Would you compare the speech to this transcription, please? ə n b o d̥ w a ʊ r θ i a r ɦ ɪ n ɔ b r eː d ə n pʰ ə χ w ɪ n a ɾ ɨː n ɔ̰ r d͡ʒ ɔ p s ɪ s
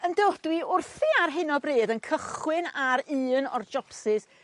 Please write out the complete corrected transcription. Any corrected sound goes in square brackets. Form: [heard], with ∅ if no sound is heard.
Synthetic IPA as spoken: ə n [d] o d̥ w [i] ʊ r θ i a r ɦ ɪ n ɔ b r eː d ə n [kʰ] ə χ w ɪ n a ɾ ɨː n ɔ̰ r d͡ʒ ɔ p s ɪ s

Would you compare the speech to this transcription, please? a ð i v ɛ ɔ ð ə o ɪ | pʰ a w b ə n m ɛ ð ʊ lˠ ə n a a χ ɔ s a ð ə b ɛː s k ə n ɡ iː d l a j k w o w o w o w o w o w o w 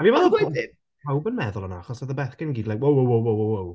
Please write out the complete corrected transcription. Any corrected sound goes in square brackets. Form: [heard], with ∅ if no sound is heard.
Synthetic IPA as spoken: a [v] i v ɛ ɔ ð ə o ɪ | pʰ a w b ə n m ɛ ð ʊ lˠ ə n a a χ ɔ s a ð ə b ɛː [θ] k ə n ɡ iː d l a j k w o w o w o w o w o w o w

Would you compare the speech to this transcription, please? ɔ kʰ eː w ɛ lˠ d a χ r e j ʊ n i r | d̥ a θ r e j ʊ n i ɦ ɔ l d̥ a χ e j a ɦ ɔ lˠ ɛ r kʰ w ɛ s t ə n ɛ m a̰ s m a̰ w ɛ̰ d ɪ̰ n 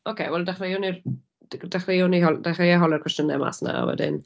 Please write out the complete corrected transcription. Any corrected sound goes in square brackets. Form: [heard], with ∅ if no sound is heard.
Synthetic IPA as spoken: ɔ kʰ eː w ɛ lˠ d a χ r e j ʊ n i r | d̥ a [χ] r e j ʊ n i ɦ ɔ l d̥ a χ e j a ɦ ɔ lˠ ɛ r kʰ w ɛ s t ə n ɛ m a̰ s [n] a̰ w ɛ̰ d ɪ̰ n

